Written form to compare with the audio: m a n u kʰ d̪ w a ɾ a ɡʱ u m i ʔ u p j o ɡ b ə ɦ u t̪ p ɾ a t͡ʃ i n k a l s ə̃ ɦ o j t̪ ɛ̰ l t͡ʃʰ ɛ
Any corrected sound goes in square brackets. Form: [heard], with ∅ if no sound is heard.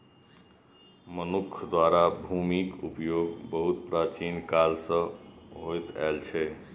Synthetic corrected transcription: m [ə] n u kʰ d̪ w a ɾ a [bʱ] u m i [k] u p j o ɡ b ə ɦ u t̪ p ɾ a t͡ʃ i n k a l s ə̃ ɦ o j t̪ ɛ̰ l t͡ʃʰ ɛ